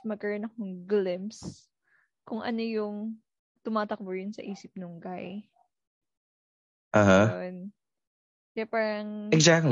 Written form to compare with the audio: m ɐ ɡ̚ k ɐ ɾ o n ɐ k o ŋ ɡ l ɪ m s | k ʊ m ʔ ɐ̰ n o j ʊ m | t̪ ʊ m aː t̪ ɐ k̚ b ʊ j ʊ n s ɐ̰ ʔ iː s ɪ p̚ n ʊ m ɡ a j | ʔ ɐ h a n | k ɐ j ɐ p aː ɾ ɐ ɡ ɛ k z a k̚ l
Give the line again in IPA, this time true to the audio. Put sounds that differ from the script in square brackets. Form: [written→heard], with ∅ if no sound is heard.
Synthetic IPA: m ɐ ɡ̚ k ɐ ɾ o n ɐ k o ŋ ɡ l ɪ m s | k ʊ [m→ŋ] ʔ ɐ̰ n o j ʊ [m→ŋ] | t̪ ʊ m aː t̪ ɐ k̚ b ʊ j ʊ n s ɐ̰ ʔ iː s ɪ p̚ n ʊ [m→ŋ] ɡ a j | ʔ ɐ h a n | k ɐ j [ɐ→a] p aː ɾ ɐ [ɡ→ŋ] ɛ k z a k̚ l